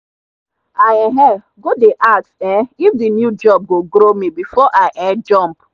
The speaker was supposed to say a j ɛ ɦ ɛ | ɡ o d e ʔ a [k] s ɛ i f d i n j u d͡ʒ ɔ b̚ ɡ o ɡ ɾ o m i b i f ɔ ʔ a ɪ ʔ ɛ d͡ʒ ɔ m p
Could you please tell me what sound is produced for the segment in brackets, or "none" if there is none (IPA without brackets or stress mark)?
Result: t